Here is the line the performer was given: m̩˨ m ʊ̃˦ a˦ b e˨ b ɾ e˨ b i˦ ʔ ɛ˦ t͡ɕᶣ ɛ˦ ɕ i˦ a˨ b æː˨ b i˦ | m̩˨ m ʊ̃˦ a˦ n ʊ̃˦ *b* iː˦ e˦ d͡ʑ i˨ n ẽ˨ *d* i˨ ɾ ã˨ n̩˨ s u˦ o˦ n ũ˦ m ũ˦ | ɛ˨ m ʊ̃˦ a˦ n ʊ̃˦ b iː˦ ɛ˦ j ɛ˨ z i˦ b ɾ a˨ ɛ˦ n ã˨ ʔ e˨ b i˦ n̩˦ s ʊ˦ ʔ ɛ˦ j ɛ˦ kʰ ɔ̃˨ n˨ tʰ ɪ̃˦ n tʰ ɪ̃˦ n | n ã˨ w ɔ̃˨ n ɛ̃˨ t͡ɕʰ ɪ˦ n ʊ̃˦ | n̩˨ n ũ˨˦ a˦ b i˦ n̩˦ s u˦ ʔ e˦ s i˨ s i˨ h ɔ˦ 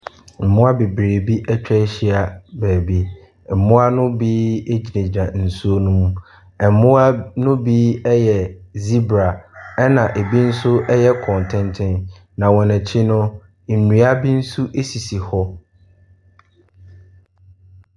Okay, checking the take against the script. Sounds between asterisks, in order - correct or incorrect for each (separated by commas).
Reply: correct, incorrect